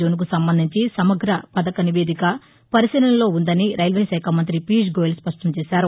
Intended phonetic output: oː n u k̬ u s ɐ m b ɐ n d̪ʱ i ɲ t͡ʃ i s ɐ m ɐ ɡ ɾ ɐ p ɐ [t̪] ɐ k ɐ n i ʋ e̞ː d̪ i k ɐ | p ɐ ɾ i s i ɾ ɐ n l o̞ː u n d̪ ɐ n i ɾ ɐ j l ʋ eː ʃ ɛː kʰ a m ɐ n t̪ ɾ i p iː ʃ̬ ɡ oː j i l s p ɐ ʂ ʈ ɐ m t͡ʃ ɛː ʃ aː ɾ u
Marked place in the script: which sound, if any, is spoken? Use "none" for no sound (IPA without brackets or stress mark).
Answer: d̪